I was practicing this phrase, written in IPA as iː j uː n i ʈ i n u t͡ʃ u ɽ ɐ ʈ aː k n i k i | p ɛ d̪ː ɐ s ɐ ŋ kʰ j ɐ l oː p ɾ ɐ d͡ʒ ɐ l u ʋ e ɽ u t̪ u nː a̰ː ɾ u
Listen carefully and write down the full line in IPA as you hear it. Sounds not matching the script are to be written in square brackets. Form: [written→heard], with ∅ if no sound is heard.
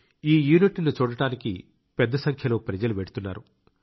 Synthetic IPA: iː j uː n i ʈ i n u t͡ʃ [u→uː] ɽ ɐ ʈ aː [k→∅] n i k i | p ɛ d̪ː ɐ s ɐ ŋ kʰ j ɐ l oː p ɾ ɐ d͡ʒ ɐ l u ʋ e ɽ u t̪ u nː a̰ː ɾ u

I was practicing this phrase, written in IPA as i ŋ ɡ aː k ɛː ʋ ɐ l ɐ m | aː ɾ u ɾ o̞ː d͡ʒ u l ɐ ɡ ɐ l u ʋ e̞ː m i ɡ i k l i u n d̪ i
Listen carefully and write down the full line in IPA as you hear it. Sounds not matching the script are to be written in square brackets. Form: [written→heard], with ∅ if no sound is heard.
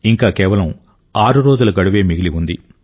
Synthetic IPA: i ŋ [ɡ→k] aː k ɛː ʋ ɐ l ɐ m | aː ɾ u ɾ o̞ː d͡ʒ u l ɐ ɡ ɐ [l→ɽ] u ʋ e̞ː m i ɡ i [k→∅] l i u n d̪ i

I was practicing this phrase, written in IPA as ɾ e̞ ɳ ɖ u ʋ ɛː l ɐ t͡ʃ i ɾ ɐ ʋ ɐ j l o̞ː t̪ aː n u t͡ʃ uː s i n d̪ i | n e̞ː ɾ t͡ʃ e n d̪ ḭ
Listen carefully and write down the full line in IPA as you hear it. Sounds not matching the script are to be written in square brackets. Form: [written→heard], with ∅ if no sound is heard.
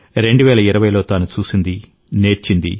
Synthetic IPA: ɾ e̞ ɳ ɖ u ʋ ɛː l ɐ [t͡ʃ→∅] i ɾ ɐ ʋ ɐ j l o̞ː t̪ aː n u t͡ʃ uː s i n d̪ i | n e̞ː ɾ t͡ʃ [e→i] n d̪ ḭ

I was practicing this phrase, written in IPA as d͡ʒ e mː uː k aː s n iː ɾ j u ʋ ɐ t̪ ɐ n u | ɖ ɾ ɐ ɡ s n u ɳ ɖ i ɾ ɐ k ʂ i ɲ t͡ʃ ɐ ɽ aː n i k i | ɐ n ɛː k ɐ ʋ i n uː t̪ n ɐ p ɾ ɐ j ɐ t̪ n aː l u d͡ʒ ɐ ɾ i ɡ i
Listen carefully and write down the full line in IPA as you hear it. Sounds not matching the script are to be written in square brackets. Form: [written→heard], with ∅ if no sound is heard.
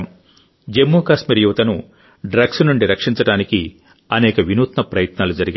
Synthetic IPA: d͡ʒ e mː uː k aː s [n→m] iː ɾ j u ʋ ɐ t̪ ɐ n u | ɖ ɾ ɐ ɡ s n u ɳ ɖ i ɾ ɐ k ʂ i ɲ t͡ʃ ɐ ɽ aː n i k i | ɐ n ɛː k ɐ ʋ i n uː t̪ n ɐ p ɾ ɐ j ɐ t̪ n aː l u d͡ʒ ɐ ɾ i ɡ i

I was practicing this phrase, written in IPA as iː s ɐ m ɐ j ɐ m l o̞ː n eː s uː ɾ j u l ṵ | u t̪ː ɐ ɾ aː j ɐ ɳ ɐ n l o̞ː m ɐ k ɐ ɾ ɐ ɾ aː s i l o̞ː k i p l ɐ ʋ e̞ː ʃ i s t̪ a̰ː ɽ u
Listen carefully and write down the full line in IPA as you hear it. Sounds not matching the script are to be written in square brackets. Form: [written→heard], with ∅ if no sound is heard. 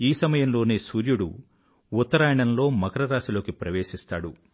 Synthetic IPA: iː s ɐ m ɐ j ɐ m l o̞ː n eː s uː ɾ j u [l→ɽ] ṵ | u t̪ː ɐ ɾ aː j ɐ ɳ ɐ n l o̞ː m ɐ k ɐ ɾ ɐ ɾ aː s i l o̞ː k i p [l→ɾ] ɐ ʋ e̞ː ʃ i s t̪ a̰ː ɽ u

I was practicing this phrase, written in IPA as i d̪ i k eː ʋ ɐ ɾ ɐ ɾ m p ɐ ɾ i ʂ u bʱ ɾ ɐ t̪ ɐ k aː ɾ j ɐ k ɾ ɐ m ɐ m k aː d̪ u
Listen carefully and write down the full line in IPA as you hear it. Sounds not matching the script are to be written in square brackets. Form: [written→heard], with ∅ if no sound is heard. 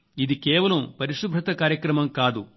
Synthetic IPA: i d̪ i k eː ʋ ɐ [ɾ→l] ɐ [ɾ→∅] m p ɐ ɾ i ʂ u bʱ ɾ ɐ t̪ ɐ k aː ɾ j ɐ k ɾ ɐ m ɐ m k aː d̪ u

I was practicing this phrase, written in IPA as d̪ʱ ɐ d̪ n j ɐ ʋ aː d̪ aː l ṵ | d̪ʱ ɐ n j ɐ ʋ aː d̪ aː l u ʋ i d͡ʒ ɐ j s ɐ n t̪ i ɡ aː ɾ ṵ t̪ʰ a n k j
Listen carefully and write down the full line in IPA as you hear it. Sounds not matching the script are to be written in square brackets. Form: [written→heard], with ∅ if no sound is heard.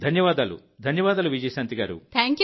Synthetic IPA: d̪ʱ ɐ [d̪→∅] n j ɐ ʋ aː d̪ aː l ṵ | d̪ʱ ɐ n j ɐ ʋ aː d̪ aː l u ʋ i d͡ʒ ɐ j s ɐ n t̪ i ɡ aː ɾ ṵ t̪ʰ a [n→ŋ] k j

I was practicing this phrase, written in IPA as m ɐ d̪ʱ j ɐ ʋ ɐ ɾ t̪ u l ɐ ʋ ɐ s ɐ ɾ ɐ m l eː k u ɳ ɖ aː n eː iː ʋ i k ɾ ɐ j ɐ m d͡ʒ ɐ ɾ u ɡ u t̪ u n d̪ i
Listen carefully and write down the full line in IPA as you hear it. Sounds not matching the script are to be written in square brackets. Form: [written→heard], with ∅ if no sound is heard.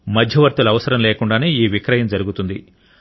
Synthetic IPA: m ɐ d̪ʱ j ɐ ʋ ɐ ɾ t̪ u l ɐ ʋ ɐ s ɐ ɾ ɐ m l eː k u ɳ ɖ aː n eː iː ʋ i k ɾ ɐ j ɐ m d͡ʒ ɐ ɾ u ɡ u t̪ u n d̪ i

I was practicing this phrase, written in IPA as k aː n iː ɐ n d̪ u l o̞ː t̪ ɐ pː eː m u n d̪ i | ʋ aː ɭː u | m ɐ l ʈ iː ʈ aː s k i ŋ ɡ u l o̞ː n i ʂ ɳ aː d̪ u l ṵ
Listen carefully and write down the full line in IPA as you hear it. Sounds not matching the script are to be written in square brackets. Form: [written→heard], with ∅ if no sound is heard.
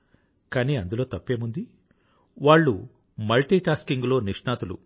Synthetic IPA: k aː n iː ɐ n d̪ u l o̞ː t̪ ɐ pː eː m u n d̪ i | ʋ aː ɭː u | m ɐ l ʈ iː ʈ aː s k i ŋ ɡ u l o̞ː n i ʂ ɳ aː [d̪→t̪] u l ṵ

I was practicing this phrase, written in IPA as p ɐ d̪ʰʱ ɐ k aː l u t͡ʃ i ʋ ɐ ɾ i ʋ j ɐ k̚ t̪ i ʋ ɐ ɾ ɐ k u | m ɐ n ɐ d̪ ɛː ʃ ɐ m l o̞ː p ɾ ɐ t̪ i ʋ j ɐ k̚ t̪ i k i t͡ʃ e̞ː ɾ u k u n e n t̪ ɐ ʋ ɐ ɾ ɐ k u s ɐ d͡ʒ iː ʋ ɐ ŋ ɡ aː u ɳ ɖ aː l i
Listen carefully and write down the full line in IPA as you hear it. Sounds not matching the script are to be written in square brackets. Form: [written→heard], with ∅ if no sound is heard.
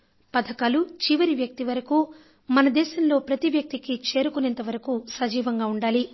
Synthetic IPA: p ɐ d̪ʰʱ ɐ k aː l u t͡ʃ i ʋ ɐ ɾ i ʋ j ɐ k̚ t̪ i ʋ ɐ ɾ ɐ k u | m ɐ n ɐ d̪ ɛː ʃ ɐ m l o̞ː p ɾ ɐ t̪ i ʋ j ɐ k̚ t̪ i k i t͡ʃ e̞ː ɾ u k u n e n t̪ ɐ ʋ ɐ ɾ ɐ k u s ɐ d͡ʒ iː ʋ ɐ ŋ ɡ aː u ɳ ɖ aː l i

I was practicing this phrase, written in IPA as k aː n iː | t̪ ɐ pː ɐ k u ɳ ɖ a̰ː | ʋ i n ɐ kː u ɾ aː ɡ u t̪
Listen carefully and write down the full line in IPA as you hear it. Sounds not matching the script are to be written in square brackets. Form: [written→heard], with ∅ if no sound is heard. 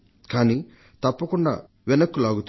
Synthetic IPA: k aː n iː | t̪ ɐ pː ɐ k u ɳ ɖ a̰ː | ʋ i n ɐ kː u [ɾ→l] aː ɡ u t̪

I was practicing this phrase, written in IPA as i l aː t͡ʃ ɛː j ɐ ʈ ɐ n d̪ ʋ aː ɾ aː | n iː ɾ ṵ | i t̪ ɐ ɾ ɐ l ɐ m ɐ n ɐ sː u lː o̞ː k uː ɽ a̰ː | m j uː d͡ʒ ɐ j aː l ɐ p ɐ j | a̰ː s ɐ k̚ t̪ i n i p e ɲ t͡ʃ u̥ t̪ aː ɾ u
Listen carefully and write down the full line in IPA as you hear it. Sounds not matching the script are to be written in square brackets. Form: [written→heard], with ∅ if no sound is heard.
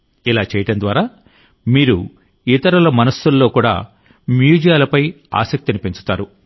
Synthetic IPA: i l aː t͡ʃ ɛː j ɐ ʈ ɐ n d̪ ʋ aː ɾ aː | [n→m] iː ɾ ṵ | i t̪ ɐ ɾ ɐ l ɐ m ɐ n ɐ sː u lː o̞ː k uː ɽ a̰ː | m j uː d͡ʒ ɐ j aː l ɐ p ɐ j | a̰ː s ɐ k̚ t̪ i n i p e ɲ t͡ʃ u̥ t̪ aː ɾ u

